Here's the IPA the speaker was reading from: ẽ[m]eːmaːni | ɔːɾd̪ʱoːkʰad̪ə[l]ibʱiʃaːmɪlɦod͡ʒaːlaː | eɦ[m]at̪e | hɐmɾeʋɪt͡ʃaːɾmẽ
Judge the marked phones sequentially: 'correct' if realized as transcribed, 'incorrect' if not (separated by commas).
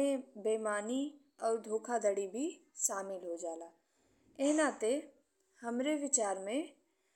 incorrect, incorrect, incorrect